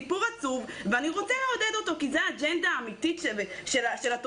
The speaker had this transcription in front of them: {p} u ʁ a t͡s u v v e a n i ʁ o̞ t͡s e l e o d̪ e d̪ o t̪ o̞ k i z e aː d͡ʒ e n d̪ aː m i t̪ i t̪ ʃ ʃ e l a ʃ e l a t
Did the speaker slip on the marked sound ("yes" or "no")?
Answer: no